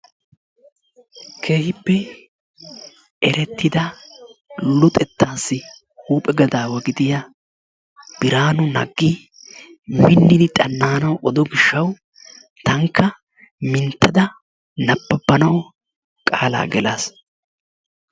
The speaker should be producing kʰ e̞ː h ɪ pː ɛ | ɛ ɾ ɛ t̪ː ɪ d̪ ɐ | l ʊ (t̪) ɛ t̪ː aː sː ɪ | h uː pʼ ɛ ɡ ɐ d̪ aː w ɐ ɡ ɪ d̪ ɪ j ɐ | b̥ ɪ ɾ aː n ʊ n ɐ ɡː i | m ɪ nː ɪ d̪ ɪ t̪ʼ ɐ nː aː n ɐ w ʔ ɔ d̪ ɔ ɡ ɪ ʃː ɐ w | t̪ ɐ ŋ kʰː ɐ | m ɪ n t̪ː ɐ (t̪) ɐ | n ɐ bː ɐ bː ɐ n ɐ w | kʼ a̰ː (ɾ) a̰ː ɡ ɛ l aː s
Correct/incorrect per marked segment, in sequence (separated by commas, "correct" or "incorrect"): incorrect, incorrect, incorrect